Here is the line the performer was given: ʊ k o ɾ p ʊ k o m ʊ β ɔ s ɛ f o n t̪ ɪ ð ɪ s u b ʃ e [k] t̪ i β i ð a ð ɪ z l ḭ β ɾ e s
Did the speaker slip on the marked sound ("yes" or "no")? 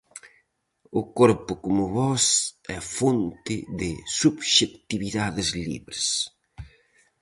no